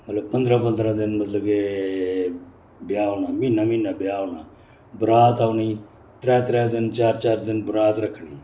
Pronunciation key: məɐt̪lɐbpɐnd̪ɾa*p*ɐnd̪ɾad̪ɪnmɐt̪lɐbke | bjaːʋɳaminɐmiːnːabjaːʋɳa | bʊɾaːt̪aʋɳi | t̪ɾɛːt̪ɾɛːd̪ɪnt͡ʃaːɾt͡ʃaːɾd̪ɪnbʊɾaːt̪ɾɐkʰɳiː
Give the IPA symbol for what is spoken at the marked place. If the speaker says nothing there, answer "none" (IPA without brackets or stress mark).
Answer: p